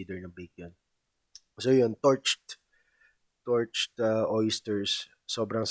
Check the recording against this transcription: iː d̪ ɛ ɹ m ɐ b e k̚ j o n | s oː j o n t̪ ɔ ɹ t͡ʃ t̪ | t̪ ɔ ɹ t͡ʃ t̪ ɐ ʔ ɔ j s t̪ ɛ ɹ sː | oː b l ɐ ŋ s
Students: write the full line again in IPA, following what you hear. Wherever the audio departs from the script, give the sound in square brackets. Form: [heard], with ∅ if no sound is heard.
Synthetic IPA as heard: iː d̪ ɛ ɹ [n] ɐ b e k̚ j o n | s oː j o n t̪ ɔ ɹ t͡ʃ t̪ | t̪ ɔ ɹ t͡ʃ t̪ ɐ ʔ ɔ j s t̪ ɛ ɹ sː | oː b [ɾ] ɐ ŋ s